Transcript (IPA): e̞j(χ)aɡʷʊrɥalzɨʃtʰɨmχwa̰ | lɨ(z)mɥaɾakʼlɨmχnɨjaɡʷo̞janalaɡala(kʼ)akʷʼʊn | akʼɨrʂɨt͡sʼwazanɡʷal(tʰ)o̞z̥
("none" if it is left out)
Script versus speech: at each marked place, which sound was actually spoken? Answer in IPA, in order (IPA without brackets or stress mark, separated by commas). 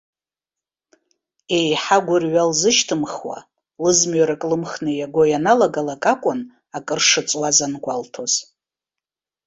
ħ, z, kʼ, tʰ